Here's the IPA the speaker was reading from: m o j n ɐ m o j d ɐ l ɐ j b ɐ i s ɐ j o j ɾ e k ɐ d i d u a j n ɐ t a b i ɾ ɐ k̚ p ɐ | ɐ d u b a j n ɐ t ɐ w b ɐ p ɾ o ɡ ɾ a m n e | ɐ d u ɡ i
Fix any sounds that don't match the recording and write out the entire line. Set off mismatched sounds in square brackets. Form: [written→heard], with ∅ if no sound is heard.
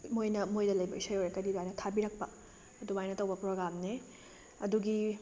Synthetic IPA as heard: m o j n ɐ m o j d ɐ l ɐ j b ɐ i s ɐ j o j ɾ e k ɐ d i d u a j n ɐ [t→tʰ] a b i ɾ ɐ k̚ p ɐ | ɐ d u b a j n ɐ t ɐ w b ɐ p ɾ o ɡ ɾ a m n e | ɐ d u ɡ i

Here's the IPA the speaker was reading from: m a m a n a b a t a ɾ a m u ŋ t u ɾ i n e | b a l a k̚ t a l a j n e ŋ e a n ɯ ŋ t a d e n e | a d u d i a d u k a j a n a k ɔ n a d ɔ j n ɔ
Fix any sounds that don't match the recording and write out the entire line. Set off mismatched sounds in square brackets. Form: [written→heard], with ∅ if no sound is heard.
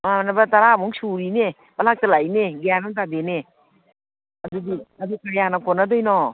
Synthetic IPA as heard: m a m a n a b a t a ɾ a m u ŋ [t→s] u ɾ i n e | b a l a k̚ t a l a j n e [ŋ→ɡ] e a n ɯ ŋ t a d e n e | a d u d i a d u k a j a n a k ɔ n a d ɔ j n ɔ

